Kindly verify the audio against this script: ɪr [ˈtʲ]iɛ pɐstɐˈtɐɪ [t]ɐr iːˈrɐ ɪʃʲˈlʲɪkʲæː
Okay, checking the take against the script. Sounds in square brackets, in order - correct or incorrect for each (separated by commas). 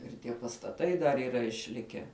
correct, incorrect